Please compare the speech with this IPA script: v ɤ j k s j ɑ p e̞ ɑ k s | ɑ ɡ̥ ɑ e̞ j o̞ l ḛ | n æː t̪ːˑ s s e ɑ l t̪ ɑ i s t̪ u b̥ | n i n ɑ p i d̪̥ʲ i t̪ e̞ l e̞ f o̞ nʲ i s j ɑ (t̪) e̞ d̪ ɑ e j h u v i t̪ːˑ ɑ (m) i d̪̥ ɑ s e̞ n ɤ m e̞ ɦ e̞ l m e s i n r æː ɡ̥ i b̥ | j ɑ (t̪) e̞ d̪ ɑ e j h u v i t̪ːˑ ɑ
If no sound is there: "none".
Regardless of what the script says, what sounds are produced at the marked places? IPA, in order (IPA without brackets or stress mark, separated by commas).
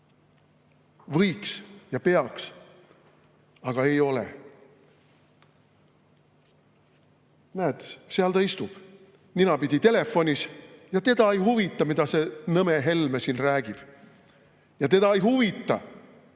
t̪, m, t̪